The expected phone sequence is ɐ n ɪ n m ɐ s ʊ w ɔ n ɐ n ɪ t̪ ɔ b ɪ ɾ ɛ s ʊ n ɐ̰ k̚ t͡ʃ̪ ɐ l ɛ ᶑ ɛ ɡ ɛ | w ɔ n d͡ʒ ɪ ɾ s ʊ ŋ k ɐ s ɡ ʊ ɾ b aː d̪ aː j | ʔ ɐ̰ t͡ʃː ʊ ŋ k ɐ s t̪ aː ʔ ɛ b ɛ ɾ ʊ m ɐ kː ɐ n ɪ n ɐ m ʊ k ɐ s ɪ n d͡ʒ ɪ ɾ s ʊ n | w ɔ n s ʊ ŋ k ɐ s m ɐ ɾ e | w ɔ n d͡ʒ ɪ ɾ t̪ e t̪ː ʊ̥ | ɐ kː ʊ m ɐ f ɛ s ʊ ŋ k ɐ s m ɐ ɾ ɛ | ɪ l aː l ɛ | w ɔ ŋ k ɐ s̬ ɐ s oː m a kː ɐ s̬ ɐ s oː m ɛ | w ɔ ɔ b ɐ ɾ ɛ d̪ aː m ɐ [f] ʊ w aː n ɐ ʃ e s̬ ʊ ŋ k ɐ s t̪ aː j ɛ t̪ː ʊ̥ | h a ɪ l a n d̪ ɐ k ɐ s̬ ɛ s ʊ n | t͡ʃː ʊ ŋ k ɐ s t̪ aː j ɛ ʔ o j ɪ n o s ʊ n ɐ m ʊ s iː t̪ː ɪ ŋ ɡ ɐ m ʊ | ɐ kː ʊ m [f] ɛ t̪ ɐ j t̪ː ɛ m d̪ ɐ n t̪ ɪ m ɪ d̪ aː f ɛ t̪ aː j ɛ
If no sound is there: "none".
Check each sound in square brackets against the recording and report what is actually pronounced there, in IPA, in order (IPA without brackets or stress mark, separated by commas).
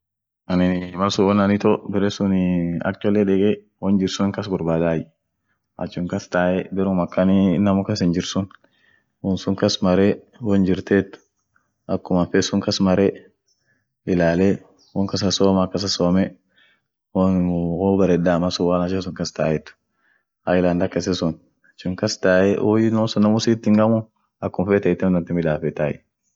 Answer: s, f